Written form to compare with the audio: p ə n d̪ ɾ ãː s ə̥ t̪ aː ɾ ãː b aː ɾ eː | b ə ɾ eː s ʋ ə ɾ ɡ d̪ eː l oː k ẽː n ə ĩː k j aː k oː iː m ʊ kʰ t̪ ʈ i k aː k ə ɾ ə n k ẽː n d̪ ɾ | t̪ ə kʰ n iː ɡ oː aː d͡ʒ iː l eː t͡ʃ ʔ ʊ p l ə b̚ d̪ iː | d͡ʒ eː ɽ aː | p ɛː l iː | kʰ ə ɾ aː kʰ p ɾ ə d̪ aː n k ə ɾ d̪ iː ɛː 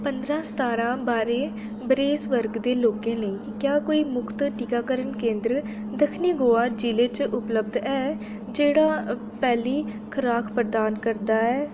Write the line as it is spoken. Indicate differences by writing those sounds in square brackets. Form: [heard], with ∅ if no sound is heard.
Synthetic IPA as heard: p ə n d̪ ɾ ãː s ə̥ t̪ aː ɾ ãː b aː ɾ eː | b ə ɾ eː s ʋ ə ɾ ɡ d̪ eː l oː k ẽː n ə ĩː k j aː k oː iː m ʊ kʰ t̪ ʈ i k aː k ə ɾ ə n k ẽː n d̪ ɾ | [d̪] ə kʰ n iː ɡ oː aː d͡ʒ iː l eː t͡ʃ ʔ ʊ p l ə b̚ d̪ [ɛː] | d͡ʒ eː ɽ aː | p ɛː l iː | kʰ ə ɾ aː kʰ p ɾ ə d̪ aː n k ə ɾ d̪ [aː] ɛː